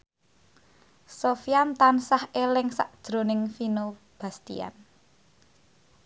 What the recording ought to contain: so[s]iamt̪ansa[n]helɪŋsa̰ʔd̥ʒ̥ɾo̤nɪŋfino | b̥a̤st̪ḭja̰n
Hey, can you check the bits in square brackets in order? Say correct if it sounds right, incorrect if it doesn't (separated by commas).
incorrect, incorrect